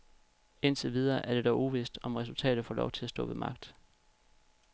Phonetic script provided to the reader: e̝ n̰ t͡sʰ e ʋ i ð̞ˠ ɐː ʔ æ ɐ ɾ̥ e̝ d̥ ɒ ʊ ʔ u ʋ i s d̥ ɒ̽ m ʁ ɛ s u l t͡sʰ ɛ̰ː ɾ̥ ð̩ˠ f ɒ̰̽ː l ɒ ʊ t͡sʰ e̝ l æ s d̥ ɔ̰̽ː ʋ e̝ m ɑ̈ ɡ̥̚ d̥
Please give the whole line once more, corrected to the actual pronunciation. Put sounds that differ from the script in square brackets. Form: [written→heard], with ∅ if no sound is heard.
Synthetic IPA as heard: e̝ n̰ t͡sʰ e ʋ i ð̞ˠ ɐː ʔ æ ɐ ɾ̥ e̝ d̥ ɒ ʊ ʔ u ʋ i s d̥ ɒ̽ m ʁ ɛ s u l t͡sʰ ɛ̰ː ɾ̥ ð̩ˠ f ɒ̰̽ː l ɒ ʊ t͡sʰ e̝ l æ s d̥ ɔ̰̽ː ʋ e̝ m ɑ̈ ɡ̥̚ d̥